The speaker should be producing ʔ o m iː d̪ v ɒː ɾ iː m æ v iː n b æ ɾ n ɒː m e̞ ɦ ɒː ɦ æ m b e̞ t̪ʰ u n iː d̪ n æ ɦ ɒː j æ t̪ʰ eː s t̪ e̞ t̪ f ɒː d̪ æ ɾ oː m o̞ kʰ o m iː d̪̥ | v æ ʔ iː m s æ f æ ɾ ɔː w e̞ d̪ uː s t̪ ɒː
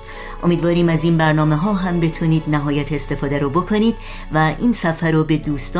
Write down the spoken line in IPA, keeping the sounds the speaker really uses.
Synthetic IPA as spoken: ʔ o m iː d̪ v ɒː ɾ iː m æ z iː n b æ ɾ n ɒː m e̞ ɦ ɒː ɦ æ m b e̞ t̪ʰ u n iː d̪ n æ ɦ ɒː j æ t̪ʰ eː s t̪ e̞ f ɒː d̪ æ ɾ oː b o̞ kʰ o n iː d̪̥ | v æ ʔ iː n s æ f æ ɾ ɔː b e̞ d̪ uː s t̪ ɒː